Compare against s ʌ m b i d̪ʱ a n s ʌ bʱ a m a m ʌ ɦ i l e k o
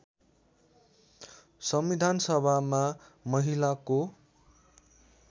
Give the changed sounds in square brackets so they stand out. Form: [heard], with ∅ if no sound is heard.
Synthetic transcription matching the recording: s ʌ m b i d̪ʱ a n s ʌ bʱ a m a m ʌ ɦ i l [a] k o